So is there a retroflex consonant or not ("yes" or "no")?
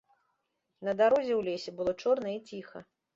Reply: yes